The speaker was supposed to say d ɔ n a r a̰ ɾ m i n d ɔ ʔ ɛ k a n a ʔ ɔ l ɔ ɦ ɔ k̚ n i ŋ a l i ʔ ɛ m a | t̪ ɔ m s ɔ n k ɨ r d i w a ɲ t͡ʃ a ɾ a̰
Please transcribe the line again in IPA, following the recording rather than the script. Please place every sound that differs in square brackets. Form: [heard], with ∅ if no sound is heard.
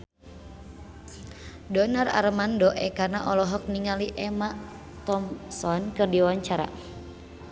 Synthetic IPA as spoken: d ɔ n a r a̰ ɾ m [a] n d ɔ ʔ ɛ k a n a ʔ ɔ l ɔ ɦ ɔ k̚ n i ŋ a l i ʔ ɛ m a | t̪ ɔ m s ɔ n k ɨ r d i w a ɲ t͡ʃ a ɾ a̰

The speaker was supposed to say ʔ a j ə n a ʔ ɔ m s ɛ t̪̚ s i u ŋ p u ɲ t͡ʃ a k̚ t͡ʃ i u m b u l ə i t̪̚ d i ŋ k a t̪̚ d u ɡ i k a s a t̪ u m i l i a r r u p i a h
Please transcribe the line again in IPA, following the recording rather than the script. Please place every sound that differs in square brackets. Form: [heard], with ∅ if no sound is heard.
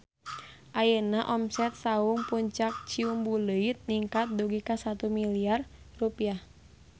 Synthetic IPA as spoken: ʔ a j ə n a ʔ ɔ m s ɛ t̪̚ s [a] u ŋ p u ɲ t͡ʃ a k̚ t͡ʃ i u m b u l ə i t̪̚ [n] i ŋ k a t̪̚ d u ɡ i k a s a t̪ u m i l i a r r u p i a h

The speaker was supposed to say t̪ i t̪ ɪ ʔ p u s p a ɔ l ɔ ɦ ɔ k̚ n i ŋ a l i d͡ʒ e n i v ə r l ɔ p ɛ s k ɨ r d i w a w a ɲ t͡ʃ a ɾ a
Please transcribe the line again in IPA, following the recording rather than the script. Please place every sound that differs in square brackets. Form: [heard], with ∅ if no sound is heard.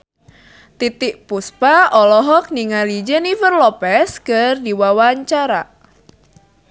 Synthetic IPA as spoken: t̪ i t̪ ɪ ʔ p u s p a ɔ l ɔ ɦ ɔ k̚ n i ŋ a l i d͡ʒ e n i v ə r l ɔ p ɛ s k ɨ r d i w a w a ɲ t͡ʃ a ɾ a

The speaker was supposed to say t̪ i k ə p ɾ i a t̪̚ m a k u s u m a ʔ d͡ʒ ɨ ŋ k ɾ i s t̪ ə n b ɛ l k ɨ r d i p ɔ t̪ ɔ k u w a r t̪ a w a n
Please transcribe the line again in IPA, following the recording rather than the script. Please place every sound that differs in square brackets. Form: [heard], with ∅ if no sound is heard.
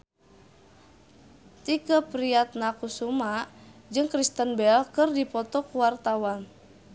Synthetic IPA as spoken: t̪ i k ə p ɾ i a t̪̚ [n] a k u s u m a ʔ d͡ʒ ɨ ŋ k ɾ i s t̪ ə n b ɛ l k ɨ r d i p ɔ t̪ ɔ k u w a r t̪ a w a n

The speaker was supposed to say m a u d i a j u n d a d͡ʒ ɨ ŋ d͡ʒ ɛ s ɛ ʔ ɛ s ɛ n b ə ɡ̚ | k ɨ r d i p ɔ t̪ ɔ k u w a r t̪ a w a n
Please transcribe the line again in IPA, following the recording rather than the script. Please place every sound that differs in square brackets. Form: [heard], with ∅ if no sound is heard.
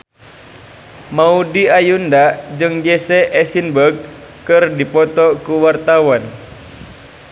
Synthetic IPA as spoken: m a u d i a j u n d a d͡ʒ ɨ ŋ d͡ʒ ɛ s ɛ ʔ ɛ s [i] n b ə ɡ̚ | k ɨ r d i p ɔ t̪ ɔ k u w a r t̪ a w a n

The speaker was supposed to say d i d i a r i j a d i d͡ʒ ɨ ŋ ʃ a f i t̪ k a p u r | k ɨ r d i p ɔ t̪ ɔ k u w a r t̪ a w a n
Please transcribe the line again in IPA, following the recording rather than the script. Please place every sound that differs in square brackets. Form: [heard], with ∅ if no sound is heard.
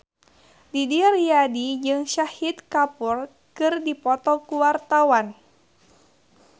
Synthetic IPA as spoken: d i d i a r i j a d i d͡ʒ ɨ ŋ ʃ a [h] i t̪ k a p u r | k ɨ r d i p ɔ t̪ ɔ k u w a r t̪ a w a n

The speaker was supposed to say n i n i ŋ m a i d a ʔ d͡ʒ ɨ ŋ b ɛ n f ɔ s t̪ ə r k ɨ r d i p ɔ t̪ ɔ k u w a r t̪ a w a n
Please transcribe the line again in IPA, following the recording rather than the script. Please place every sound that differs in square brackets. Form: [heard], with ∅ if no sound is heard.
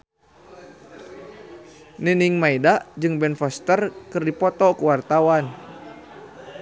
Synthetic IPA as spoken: n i n i ŋ m a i d a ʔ d͡ʒ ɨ ŋ b ɛ n f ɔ s t̪ ə r k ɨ r d i p ɔ t̪ ɔ k u w a r t̪ a w a n

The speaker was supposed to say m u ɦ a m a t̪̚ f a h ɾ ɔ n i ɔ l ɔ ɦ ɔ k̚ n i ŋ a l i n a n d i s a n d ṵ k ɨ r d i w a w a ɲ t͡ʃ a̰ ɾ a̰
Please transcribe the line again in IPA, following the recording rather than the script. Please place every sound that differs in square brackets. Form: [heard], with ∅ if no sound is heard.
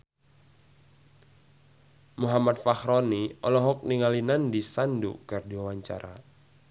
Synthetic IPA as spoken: m u ɦ a m a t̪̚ f a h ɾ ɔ n i ɔ l ɔ ɦ ɔ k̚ n i ŋ a l i n a n d i s a n d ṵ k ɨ r d i w a w a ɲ t͡ʃ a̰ ɾ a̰

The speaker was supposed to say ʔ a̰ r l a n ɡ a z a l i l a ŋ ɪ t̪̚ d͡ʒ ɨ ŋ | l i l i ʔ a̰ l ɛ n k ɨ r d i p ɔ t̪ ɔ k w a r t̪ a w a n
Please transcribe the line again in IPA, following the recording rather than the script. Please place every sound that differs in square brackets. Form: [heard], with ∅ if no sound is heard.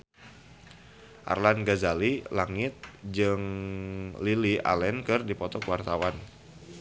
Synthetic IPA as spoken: ʔ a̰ r l a n ɡ a z a l i l a ŋ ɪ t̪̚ d͡ʒ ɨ ŋ | l i l i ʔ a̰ l ɛ n k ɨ r d i p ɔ t̪ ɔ k w a r t̪ a w a n

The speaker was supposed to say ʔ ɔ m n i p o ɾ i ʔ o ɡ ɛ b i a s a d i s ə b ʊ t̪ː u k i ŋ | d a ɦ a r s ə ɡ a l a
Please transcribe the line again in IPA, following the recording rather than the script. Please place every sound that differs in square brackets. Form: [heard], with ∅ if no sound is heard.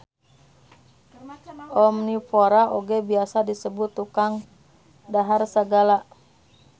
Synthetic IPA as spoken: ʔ ɔ m n i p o ɾ [a] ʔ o ɡ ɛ b i a s a d i s ə b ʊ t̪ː u k [a] ŋ | d a ɦ a r s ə ɡ a l a

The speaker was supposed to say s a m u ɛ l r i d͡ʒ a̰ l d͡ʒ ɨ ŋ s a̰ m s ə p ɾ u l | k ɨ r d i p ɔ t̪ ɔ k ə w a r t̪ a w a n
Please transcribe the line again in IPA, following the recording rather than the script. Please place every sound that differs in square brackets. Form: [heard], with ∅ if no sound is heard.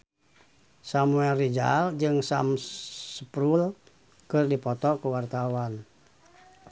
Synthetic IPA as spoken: s a m u ɛ l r i d͡ʒ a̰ l d͡ʒ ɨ ŋ s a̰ m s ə p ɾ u l | k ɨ r d i p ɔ t̪ ɔ k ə w a r t̪ a w a n

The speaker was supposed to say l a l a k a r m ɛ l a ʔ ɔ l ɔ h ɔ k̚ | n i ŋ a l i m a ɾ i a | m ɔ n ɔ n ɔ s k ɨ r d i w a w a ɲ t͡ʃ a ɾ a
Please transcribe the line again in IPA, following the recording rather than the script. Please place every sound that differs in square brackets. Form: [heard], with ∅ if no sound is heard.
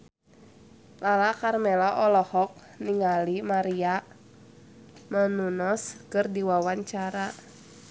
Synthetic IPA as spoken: l a l a k a r m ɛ l a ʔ ɔ l ɔ h ɔ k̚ | n i ŋ a l i m a ɾ i a | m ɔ n [u] n ɔ s k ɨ r d i w a w a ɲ t͡ʃ a ɾ a

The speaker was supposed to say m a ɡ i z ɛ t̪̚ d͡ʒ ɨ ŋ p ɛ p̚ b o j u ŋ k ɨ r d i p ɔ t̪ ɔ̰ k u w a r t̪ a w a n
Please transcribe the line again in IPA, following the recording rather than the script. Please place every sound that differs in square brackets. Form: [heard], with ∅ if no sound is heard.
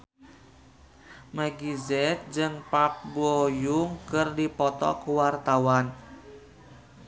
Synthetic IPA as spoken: m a ɡ i z ɛ t̪̚ d͡ʒ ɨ ŋ p [a] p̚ b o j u ŋ k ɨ r d i p ɔ t̪ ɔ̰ k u w a r t̪ a w a n

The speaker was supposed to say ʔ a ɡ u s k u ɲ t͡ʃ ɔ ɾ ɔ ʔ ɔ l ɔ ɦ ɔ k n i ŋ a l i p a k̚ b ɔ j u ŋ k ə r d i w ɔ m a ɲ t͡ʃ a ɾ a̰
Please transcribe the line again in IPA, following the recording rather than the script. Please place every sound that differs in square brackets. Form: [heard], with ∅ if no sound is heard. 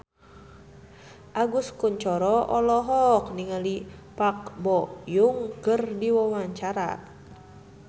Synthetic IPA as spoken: ʔ a ɡ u s k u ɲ t͡ʃ ɔ ɾ ɔ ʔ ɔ l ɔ ɦ ɔ k n i ŋ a l i p a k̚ b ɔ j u ŋ k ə r d i w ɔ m a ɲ t͡ʃ a ɾ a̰

